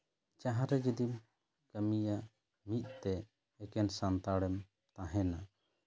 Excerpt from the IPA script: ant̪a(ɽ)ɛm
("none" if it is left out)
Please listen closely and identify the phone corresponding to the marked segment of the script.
ɽ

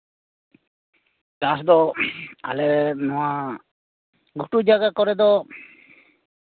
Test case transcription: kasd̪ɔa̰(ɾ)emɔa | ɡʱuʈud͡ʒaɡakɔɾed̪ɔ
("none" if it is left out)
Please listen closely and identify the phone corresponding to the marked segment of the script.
l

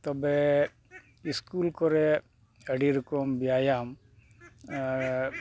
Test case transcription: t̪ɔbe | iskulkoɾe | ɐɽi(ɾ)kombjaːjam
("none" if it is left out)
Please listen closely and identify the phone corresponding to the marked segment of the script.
ɾ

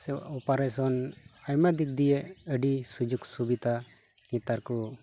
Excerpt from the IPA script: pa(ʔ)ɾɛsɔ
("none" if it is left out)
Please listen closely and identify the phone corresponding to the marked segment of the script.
none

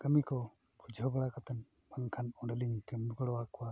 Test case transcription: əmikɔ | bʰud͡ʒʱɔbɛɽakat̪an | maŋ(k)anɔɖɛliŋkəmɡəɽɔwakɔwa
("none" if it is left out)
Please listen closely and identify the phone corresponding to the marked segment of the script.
kʰ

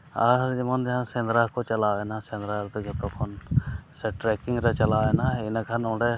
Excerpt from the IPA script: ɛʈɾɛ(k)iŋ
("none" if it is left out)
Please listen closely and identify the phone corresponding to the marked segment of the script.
k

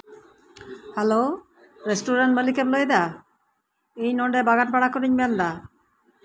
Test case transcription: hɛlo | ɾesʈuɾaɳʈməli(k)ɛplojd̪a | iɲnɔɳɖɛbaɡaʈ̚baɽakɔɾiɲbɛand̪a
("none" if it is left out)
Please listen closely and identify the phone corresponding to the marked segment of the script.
k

